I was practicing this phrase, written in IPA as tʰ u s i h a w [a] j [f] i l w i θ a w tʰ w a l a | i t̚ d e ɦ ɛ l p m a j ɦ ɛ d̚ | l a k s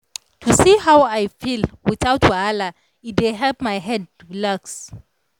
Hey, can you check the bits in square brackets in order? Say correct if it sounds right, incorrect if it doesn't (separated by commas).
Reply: correct, correct